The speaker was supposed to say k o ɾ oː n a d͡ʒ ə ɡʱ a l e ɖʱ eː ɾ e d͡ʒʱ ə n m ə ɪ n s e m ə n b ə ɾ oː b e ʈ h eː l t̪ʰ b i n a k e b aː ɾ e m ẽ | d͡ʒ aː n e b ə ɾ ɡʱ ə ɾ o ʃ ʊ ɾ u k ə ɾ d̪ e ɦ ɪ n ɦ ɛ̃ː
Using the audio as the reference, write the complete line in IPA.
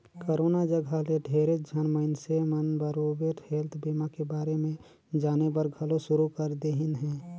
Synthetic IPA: k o ɾ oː n a d͡ʒ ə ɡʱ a l e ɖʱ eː ɾ e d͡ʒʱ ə n m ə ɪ n s e m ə n b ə ɾ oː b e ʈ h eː l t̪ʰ b i m a k e b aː ɾ e m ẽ | d͡ʒ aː n e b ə ɾ ɡʱ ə l o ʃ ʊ ɾ u k ə ɾ d̪ e ɦ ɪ n ɦ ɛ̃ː